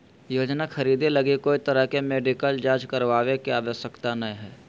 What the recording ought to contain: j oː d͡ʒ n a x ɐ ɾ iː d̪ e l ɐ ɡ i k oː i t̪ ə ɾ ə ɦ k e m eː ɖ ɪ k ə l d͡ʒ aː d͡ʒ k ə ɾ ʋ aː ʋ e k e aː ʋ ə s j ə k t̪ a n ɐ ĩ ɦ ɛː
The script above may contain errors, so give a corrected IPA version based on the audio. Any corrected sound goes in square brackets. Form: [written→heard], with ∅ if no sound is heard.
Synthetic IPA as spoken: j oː d͡ʒ n a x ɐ ɾ iː d̪ e l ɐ ɡ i k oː i t̪ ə ɾ ə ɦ k e m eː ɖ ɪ k ə l d͡ʒ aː d͡ʒ k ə ɾ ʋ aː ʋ e k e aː ʋ ə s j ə k t̪ a n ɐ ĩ ɦ ɛː